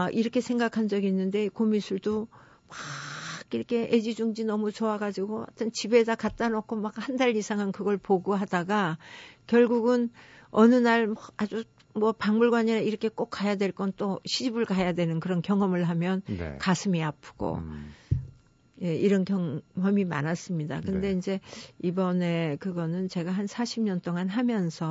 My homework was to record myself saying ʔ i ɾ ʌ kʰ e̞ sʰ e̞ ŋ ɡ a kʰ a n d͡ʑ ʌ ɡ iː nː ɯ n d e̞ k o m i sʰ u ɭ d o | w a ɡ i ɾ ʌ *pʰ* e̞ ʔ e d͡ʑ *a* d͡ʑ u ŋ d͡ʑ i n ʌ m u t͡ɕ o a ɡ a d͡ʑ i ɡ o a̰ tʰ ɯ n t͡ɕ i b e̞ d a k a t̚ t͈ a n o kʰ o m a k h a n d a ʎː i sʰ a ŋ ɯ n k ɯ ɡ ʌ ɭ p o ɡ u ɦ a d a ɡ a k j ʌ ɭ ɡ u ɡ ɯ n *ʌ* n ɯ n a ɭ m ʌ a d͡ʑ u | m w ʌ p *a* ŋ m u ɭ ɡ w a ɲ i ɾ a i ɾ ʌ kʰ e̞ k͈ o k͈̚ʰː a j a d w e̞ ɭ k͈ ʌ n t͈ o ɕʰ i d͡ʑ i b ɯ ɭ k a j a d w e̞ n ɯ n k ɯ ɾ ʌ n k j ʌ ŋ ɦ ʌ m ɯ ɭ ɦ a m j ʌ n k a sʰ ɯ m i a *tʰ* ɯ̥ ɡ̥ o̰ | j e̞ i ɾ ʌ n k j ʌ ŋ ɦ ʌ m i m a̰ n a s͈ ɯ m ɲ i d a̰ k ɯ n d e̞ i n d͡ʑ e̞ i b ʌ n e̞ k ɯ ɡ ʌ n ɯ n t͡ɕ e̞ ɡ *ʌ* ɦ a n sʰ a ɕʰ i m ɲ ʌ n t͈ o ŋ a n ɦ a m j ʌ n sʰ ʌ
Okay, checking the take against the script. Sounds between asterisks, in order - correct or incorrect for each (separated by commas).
incorrect, incorrect, correct, correct, incorrect, incorrect